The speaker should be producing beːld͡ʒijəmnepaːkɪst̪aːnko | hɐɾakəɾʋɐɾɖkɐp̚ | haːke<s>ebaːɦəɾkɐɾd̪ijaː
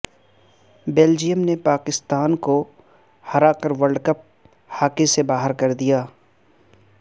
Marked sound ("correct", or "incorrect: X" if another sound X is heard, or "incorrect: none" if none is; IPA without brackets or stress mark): correct